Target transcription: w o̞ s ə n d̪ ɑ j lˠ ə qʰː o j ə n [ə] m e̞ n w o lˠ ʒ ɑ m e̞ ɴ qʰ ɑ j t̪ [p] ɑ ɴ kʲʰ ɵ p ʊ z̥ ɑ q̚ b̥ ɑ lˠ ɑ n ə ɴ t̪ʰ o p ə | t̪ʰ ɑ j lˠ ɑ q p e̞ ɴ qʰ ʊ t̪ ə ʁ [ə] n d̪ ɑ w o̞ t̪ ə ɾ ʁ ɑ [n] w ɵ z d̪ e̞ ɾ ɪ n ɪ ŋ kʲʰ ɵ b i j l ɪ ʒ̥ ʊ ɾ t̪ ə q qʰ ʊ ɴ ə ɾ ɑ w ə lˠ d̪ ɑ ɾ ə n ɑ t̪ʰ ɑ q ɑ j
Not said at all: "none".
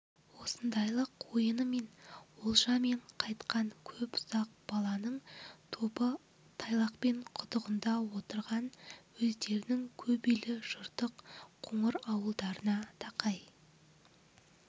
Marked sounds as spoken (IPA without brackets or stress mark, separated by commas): ə, q, ə, n